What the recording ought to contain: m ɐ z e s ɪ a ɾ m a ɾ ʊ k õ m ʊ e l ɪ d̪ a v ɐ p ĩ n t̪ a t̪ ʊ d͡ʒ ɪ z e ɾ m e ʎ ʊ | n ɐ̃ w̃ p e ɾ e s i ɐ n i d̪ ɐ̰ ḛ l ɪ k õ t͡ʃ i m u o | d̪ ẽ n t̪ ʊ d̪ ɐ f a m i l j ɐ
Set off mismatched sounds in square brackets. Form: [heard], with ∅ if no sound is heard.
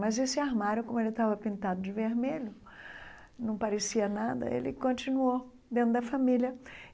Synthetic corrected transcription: m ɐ z e s ɪ a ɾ m a ɾ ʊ k õ m ʊ e l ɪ [t̪] a v ɐ p ĩ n t̪ a [d̪] ʊ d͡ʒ ɪ [v] e ɾ m e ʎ ʊ | n ɐ̃ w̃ p [a] ɾ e s i ɐ n [a] d̪ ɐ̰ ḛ l ɪ k õ t͡ʃ i [n] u o | d̪ ẽ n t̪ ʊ d̪ ɐ f a m i l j ɐ